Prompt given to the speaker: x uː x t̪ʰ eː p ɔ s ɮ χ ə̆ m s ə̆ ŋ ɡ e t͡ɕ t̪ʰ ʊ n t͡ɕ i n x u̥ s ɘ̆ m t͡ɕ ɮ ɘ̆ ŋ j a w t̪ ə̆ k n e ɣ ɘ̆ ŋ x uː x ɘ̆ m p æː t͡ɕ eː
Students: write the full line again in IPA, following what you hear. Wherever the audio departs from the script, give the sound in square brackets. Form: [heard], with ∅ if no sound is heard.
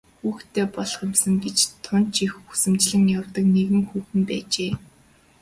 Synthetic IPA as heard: x uː x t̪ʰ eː p ɔ [∅] ɮ χ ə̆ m s ə̆ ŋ ɡ e t͡ɕ t̪ʰ ʊ n t͡ɕ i [∅] x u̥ s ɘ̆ m t͡ɕ ɮ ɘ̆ ŋ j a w t̪ ə̆ k n e ɣ ɘ̆ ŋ x uː x ɘ̆ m p æː t͡ɕ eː